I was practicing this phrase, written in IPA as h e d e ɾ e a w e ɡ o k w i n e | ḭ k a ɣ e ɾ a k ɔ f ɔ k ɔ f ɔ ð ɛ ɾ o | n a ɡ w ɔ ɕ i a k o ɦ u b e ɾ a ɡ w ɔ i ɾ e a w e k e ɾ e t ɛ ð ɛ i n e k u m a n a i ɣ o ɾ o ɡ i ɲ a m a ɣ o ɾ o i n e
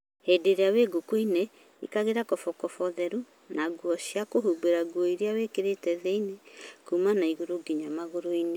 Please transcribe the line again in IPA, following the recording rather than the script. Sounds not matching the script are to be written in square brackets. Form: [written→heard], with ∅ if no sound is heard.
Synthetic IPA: h e d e ɾ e a w e ɡ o k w i n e | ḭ k a ɣ e ɾ a k ɔ f ɔ k ɔ f ɔ ð ɛ ɾ [o→u] | n a ɡ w ɔ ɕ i a k o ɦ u b e ɾ a ɡ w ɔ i ɾ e a w e k e ɾ e t ɛ ð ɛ i n e k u m a n a i ɣ o ɾ o ɡ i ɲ a m a ɣ o ɾ o i n e